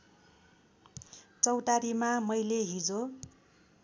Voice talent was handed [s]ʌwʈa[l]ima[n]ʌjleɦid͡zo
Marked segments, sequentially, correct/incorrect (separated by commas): incorrect, incorrect, incorrect